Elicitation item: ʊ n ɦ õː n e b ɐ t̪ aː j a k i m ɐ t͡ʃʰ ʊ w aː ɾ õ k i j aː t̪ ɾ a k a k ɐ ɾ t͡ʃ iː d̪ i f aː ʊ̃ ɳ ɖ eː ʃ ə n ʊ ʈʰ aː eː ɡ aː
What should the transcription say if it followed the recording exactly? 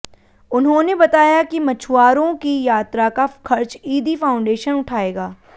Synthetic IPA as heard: ʊ n ɦ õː n e b ɐ t̪ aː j a k i m ɐ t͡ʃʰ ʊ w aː ɾ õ k i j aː t̪ ɾ a k a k ɐ ɾ t͡ʃ iː d̪ i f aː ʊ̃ ɳ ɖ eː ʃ ə n ʊ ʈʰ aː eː ɡ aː